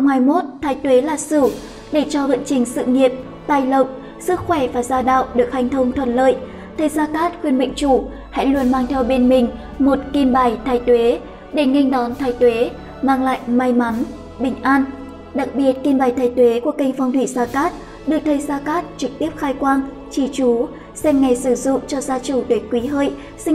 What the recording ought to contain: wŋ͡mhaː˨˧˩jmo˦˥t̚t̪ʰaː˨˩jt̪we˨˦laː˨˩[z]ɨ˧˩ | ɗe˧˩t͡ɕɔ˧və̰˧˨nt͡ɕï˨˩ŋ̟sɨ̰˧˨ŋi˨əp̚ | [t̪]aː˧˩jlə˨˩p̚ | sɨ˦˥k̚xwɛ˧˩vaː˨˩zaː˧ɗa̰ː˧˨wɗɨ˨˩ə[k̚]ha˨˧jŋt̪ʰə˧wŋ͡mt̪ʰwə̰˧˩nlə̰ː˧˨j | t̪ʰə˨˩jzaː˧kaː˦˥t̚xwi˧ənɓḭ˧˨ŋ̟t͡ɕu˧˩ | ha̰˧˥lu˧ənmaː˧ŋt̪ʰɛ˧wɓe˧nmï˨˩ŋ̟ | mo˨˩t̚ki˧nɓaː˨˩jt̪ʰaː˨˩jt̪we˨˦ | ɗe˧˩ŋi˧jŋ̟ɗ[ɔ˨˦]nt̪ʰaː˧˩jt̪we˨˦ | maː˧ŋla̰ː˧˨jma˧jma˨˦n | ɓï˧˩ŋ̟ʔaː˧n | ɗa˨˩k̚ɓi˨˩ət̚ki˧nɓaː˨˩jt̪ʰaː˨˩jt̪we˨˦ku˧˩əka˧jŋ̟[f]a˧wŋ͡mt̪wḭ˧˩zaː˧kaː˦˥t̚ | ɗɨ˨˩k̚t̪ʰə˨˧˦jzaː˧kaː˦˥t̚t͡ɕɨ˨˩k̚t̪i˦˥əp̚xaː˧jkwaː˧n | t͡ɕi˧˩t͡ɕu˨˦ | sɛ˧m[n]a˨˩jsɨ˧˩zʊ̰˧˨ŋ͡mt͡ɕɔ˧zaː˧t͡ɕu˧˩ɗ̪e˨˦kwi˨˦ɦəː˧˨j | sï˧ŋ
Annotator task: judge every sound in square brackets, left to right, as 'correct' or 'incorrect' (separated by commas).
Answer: incorrect, correct, correct, correct, correct, incorrect